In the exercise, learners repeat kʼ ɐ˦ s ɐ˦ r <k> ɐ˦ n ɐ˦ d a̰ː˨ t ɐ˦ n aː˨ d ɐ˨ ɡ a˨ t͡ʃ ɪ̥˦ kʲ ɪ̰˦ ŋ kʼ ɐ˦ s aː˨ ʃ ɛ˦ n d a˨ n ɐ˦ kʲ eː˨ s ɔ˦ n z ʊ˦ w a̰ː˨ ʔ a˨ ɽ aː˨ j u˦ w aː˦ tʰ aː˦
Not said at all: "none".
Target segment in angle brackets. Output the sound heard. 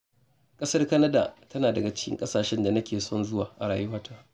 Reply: k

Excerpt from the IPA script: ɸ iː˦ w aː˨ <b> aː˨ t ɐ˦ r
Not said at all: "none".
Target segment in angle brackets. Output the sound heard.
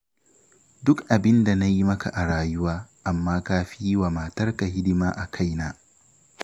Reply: m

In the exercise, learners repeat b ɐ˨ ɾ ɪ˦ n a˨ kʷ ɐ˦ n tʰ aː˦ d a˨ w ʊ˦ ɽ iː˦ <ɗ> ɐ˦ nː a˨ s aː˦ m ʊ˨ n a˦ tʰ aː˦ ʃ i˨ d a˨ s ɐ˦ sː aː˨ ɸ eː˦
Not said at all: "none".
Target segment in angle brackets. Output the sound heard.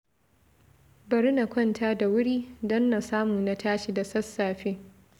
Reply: d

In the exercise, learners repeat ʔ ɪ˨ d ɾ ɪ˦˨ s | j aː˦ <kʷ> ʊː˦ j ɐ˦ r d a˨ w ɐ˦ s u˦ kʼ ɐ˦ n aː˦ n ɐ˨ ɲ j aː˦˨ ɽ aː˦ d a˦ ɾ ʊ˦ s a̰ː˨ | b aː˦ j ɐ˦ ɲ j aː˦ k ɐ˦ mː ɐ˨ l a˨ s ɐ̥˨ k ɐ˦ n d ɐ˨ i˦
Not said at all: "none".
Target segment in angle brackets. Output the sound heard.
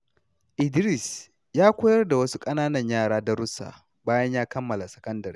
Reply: kʷ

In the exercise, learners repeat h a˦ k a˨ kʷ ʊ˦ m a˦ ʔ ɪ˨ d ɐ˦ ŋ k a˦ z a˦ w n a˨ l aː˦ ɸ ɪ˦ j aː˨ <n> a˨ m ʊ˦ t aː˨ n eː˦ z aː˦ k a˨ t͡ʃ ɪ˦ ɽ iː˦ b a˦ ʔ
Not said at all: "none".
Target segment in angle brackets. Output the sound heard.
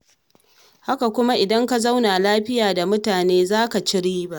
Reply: d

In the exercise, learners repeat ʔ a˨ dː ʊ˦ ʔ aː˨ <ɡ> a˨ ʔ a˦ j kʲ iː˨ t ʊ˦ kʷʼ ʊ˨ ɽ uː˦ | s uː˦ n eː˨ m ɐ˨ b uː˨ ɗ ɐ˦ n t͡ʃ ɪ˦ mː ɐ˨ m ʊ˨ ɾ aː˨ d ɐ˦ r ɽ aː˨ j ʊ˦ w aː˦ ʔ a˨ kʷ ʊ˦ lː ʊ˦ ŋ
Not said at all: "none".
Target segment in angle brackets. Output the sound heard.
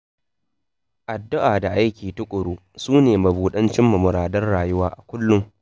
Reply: d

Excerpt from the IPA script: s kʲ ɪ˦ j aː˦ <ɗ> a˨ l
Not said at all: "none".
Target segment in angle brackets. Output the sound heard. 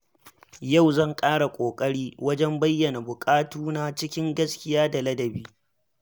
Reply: d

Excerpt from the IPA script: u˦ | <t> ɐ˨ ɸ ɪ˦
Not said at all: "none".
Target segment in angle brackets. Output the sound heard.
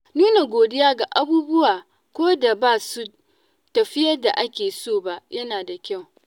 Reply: t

